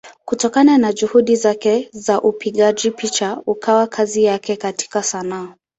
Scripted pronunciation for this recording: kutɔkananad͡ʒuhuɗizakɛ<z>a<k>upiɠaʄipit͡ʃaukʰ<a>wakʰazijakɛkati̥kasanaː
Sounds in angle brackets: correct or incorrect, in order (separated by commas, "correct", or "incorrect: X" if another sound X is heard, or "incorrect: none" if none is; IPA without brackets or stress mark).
correct, incorrect: ʔ, correct